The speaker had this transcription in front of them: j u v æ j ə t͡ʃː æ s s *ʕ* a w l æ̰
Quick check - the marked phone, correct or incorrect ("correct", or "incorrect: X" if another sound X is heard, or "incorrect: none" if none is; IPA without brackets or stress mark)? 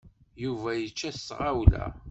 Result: incorrect: ʁ